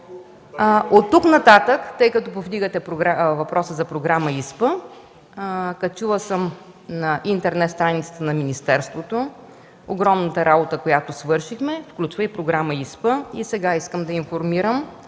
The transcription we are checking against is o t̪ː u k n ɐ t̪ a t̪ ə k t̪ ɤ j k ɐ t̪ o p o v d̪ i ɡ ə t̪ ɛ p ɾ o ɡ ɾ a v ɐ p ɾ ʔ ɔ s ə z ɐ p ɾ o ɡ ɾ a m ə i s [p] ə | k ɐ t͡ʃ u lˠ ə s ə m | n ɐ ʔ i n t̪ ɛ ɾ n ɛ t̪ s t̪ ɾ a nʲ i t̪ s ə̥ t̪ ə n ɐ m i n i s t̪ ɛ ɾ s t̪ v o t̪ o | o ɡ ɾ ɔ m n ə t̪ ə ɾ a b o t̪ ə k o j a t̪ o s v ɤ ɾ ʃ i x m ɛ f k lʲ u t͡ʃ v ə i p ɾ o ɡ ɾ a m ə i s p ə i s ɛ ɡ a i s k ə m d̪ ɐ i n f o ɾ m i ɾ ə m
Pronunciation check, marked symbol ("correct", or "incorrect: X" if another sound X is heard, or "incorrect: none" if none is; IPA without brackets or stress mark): correct